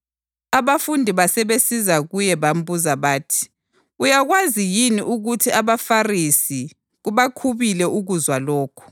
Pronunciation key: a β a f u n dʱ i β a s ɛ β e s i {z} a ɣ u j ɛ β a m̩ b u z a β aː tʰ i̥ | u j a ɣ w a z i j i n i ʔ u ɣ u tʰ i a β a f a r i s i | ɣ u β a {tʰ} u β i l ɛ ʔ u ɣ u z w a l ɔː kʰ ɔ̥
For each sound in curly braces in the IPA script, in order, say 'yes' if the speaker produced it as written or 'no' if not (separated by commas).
yes, no